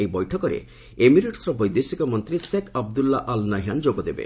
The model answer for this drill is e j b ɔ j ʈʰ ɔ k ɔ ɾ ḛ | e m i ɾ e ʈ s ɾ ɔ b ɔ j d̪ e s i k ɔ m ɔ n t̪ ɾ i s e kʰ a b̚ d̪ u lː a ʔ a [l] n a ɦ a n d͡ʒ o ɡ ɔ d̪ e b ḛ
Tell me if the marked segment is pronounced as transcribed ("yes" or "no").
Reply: yes